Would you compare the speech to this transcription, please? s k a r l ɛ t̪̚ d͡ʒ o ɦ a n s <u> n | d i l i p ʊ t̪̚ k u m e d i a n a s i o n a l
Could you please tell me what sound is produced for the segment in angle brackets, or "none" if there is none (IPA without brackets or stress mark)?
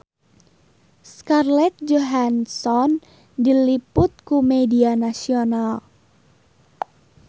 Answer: ɔ